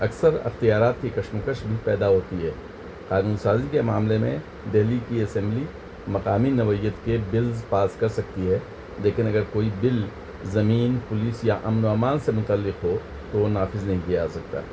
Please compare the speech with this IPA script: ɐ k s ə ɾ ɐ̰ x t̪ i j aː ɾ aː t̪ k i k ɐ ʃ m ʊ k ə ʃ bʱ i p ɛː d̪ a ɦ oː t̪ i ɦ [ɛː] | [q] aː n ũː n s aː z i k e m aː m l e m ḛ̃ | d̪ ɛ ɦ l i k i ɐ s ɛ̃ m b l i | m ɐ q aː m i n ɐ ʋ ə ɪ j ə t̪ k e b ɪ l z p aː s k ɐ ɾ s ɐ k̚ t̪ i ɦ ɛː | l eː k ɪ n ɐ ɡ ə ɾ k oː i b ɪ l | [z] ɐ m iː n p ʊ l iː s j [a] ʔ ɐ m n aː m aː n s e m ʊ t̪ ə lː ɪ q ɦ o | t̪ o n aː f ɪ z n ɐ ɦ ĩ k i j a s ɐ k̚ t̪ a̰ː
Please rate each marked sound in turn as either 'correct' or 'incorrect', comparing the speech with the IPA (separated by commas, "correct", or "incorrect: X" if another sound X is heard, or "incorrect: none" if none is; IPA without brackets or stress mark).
correct, correct, correct, correct